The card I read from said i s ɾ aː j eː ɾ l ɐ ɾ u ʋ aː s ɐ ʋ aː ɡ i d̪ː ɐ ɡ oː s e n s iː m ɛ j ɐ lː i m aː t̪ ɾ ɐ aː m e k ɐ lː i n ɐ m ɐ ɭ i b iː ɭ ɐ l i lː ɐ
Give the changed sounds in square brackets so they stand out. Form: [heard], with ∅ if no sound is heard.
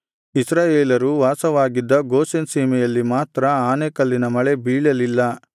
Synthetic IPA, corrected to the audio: i s ɾ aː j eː [∅] l ɐ ɾ u ʋ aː s ɐ ʋ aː ɡ i d̪ː ɐ ɡ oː s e n s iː m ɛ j ɐ lː i m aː t̪ ɾ ɐ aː [n] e k ɐ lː i n ɐ m ɐ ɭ [e] b iː ɭ ɐ l i lː ɐ